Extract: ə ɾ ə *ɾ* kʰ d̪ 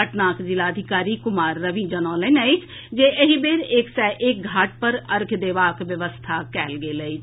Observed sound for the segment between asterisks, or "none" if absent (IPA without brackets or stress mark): ɾ